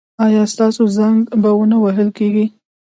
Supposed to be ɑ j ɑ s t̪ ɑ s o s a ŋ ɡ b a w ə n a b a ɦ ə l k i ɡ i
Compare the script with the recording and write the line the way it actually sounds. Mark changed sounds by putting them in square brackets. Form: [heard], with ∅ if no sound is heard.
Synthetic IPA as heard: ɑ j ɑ s t̪ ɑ s o [z] a ŋ ɡ b a w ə n a [w] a ɦ ə l k [e] ɡ i